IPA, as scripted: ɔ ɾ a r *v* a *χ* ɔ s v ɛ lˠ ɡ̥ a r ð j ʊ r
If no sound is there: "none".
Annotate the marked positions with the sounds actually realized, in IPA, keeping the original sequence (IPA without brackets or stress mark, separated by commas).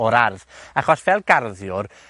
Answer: ð, χ